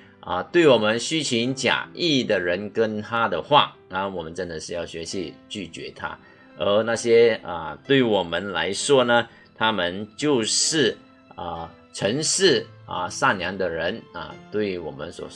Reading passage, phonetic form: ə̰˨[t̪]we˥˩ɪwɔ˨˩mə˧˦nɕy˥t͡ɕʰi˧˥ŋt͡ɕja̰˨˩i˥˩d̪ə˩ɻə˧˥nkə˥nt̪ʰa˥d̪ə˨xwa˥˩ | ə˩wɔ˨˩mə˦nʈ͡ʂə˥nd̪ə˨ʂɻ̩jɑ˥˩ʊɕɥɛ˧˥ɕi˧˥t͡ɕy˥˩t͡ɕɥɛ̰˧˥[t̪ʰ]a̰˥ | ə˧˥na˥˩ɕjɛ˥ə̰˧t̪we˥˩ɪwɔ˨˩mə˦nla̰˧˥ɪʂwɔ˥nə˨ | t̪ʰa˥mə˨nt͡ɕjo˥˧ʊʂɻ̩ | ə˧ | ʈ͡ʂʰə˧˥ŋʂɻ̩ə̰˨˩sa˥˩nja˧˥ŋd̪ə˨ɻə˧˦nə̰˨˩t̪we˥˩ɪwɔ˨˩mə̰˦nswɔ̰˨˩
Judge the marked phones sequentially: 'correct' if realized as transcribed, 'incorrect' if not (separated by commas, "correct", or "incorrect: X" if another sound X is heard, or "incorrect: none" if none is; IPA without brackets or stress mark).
correct, correct